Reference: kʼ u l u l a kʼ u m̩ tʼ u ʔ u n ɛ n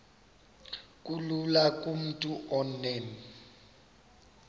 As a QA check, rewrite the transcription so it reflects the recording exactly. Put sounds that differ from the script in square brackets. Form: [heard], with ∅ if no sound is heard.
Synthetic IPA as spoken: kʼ u l u l a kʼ u m̩ tʼ u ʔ [ɔ] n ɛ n